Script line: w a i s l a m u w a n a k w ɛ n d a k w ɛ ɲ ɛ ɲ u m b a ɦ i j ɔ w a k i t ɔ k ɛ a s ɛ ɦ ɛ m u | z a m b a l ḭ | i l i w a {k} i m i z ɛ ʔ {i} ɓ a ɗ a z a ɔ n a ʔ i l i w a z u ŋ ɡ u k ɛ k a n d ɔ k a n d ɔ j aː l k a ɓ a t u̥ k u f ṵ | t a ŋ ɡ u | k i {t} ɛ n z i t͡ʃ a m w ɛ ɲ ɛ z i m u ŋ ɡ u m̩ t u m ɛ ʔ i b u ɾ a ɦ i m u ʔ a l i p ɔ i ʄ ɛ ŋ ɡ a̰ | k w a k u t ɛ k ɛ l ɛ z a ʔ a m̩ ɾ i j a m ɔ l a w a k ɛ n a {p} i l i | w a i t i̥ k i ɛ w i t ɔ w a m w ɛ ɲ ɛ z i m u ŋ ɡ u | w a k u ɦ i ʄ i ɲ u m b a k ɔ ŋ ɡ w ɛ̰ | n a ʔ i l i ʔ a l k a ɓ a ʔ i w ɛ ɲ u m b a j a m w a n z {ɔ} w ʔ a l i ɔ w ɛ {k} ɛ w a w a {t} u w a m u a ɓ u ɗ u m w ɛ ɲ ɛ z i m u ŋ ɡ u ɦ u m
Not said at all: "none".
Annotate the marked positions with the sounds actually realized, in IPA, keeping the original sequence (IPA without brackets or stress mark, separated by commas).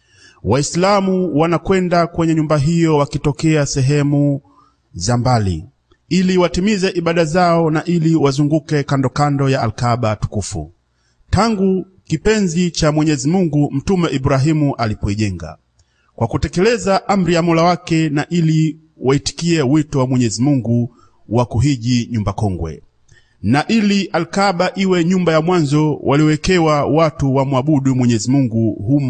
t, i, p, ʔ, ɔ, k, t